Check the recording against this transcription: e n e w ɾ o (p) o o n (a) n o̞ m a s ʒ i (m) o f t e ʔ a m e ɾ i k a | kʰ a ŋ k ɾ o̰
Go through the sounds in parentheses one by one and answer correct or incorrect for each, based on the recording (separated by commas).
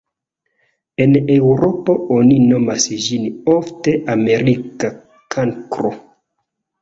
correct, incorrect, incorrect